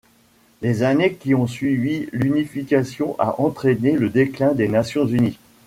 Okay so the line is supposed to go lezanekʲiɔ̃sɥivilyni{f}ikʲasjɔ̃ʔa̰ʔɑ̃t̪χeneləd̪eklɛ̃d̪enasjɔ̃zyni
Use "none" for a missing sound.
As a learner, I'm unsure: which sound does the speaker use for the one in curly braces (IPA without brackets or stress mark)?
f